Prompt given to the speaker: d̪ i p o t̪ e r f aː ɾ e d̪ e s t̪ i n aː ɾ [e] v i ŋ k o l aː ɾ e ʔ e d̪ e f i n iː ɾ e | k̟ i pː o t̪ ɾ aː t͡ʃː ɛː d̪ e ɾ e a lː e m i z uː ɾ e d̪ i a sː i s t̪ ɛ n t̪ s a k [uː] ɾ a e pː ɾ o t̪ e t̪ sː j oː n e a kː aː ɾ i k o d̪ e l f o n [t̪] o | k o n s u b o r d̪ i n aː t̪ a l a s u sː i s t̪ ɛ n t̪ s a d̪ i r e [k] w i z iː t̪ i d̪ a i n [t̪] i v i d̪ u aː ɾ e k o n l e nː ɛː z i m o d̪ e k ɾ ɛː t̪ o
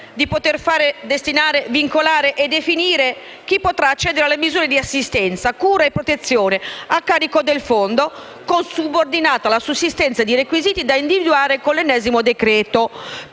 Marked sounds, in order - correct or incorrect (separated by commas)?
correct, correct, incorrect, correct, incorrect